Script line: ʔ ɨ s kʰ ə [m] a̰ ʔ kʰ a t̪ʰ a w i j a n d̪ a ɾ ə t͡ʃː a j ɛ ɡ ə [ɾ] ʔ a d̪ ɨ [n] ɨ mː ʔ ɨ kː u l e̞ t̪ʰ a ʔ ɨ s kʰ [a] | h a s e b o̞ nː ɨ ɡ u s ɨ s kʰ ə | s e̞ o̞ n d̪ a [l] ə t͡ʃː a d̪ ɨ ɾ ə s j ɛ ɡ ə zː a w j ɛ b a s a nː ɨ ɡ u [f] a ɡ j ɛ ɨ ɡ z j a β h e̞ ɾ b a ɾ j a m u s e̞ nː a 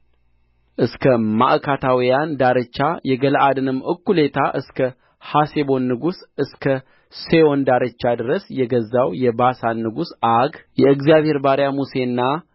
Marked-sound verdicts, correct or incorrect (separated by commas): correct, incorrect, correct, incorrect, incorrect, incorrect